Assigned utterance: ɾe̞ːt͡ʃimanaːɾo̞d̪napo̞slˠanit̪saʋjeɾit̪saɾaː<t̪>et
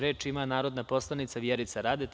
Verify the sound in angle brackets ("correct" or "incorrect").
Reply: incorrect